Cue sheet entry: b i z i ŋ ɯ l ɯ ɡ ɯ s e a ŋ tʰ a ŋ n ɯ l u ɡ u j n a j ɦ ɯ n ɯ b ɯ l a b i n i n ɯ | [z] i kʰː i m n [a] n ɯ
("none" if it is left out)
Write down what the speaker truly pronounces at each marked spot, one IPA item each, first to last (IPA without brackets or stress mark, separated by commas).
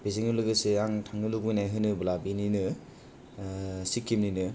s, i